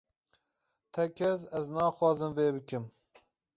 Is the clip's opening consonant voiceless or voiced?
voiceless